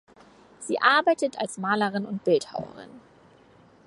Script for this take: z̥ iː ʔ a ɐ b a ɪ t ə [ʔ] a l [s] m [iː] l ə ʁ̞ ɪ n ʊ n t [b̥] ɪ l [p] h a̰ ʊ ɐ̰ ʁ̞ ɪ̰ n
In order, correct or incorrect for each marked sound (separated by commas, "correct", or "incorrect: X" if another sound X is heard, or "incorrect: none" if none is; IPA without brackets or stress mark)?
incorrect: t, correct, incorrect: aː, correct, incorrect: t